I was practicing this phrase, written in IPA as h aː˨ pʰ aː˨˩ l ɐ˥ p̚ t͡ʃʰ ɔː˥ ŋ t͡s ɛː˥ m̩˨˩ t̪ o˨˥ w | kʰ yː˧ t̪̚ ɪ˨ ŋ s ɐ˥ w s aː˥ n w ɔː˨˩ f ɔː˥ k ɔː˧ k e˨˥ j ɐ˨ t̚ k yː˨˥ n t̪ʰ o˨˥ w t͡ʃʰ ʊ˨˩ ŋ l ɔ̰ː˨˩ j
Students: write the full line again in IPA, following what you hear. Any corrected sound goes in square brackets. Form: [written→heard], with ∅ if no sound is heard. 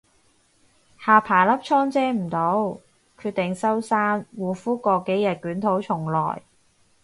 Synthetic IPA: h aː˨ pʰ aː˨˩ l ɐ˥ p̚ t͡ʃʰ ɔː˥ ŋ t͡s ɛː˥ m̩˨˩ t̪ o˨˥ w | kʰ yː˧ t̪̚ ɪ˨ ŋ s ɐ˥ w s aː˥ n w [ɔː˨˩→uː˨˩] f [ɔː˥→uː˥] k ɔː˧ k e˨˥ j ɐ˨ t̚ k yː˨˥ n t̪ʰ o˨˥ w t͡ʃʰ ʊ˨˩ ŋ l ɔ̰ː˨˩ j